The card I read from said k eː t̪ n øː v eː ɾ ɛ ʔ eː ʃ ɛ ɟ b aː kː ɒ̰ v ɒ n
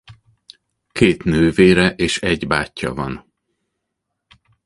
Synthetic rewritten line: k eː t̪ n øː v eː ɾ ɛ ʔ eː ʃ ɛ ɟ b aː cː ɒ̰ v ɒ n